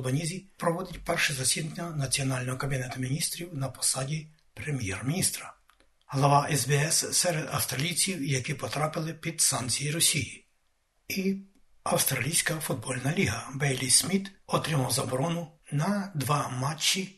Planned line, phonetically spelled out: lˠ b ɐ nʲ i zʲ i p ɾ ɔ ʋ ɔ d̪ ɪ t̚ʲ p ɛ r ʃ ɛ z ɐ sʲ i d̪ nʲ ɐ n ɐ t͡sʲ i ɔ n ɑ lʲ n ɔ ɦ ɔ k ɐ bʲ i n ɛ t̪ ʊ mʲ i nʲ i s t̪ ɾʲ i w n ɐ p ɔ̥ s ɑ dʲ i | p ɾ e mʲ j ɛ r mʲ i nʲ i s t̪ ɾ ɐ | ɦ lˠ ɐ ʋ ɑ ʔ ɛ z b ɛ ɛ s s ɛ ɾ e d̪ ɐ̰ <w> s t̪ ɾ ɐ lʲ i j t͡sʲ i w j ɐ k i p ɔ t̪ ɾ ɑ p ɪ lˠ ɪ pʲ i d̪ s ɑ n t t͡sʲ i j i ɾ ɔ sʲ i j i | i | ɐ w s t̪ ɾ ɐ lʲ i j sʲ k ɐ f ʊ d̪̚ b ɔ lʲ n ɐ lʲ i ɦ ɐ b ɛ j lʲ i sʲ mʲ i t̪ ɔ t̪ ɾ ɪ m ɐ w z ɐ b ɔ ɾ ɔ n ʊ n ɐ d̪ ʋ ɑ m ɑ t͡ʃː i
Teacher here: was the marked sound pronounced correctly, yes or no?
yes